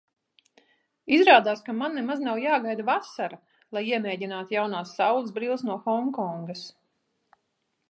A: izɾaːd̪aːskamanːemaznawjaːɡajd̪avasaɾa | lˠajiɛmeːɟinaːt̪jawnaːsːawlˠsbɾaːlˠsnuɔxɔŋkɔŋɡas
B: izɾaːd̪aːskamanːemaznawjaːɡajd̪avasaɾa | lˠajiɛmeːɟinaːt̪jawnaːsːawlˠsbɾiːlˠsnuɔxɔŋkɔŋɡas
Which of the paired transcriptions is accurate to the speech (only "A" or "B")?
B